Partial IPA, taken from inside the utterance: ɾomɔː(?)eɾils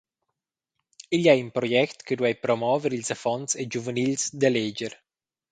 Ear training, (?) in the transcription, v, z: v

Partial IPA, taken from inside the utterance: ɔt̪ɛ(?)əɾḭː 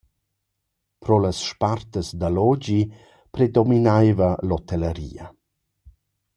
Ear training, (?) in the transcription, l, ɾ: l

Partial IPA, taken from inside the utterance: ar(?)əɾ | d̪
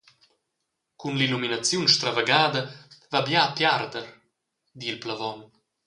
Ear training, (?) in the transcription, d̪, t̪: d̪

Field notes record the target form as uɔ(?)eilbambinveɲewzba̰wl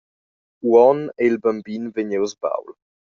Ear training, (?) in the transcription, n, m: n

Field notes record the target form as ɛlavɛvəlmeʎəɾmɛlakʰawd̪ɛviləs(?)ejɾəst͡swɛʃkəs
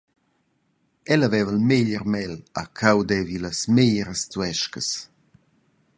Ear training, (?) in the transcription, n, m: m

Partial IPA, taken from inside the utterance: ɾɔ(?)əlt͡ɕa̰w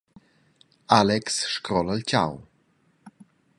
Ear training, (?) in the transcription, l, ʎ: l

